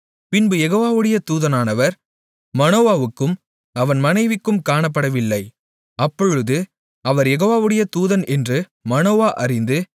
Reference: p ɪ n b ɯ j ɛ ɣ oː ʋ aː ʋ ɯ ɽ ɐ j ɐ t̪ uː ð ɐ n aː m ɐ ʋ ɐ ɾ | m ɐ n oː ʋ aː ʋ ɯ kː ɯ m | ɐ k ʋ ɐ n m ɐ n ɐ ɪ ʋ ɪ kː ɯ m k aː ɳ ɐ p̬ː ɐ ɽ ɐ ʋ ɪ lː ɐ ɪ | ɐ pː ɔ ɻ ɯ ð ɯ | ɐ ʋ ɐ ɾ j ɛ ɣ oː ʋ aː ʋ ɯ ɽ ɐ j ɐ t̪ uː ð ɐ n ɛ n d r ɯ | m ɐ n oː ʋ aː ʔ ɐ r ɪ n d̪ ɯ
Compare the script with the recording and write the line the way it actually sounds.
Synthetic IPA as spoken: p ɪ n b ɯ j ɛ ɣ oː ʋ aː ʋ ɯ ɽ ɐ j ɐ t̪ uː ð ɐ n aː n ɐ ʋ ɐ ɾ | m ɐ n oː ʋ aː ʋ ɯ kː ɯ m | ɐ ʋ ɐ n m ɐ n ɐ ɪ ʋ ɪ kː ɯ m k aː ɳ ɐ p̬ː ɐ ɽ ɐ ʋ ɪ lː ɐ ɪ | ɐ pː ɔ ɻ ɯ ð ɯ | ɐ ʋ ɐ ɾ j ɛ ɣ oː ʋ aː ʋ ɯ ɽ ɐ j ɐ t̪ uː ð ɐ n ɛ n d r ɯ | m ɐ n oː ʋ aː ʔ ɐ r ɪ n d̪ ɯ